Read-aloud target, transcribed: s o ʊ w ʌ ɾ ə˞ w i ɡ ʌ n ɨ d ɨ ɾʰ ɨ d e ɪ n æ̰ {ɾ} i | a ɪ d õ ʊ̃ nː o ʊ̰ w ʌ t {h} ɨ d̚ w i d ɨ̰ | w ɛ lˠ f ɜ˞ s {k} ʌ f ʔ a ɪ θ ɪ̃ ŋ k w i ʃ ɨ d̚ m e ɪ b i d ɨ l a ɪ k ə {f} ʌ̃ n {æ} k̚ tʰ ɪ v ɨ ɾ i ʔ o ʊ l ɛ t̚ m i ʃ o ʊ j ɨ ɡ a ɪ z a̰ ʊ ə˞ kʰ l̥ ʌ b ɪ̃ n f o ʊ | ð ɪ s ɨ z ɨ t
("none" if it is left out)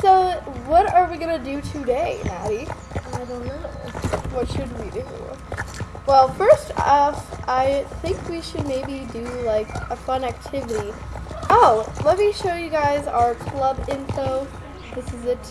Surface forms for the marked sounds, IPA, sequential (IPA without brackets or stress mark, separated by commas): ɾ, ʃ, t, f, æ